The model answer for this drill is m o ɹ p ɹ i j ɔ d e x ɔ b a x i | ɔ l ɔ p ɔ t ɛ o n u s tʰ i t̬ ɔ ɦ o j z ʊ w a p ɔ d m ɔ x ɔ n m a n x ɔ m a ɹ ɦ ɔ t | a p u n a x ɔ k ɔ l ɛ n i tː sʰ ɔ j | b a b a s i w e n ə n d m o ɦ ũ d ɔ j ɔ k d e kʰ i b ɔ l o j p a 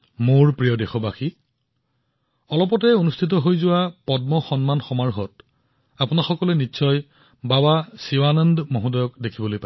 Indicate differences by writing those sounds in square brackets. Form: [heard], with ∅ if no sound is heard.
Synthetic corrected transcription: m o ɹ p ɹ i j ɔ d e x ɔ b a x i | ɔ l ɔ p ɔ t ɛ o n u s tʰ i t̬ ɔ ɦ o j z ʊ w a p ɔ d m ɔ x ɔ n m a n x ɔ m a ɹ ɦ ɔ t | a p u n a x ɔ k ɔ l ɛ n i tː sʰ ɔ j | b a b a s i w [a] n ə n d m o ɦ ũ d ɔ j ɔ k d e kʰ i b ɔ l o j p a